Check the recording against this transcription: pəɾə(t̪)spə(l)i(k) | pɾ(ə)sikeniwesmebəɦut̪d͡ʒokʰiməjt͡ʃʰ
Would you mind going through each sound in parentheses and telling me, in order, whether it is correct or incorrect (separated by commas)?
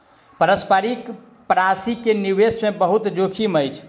incorrect, incorrect, correct, incorrect